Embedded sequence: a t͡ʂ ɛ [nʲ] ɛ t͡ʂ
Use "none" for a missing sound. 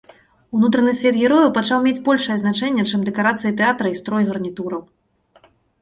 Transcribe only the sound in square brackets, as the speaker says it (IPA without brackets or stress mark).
nʲː